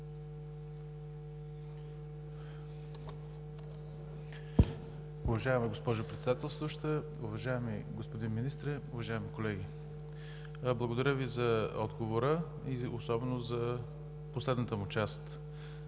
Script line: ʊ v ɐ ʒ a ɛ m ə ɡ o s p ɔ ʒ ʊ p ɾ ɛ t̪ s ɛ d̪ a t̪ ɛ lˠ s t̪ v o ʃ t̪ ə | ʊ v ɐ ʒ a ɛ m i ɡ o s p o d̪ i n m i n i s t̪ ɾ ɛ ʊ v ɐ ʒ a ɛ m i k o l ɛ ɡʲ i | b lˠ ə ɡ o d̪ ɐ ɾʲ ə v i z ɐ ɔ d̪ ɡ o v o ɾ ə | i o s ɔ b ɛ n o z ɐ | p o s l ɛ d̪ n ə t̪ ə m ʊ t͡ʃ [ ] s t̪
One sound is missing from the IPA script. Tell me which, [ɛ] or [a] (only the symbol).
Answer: a